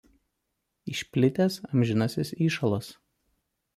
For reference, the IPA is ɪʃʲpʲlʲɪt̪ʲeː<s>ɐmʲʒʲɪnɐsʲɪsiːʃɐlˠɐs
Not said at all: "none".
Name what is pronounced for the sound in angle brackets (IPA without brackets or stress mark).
s